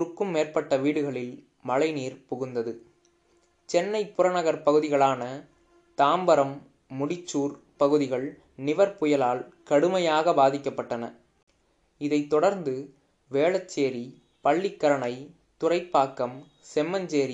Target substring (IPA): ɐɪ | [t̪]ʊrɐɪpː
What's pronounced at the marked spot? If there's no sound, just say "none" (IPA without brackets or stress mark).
t̪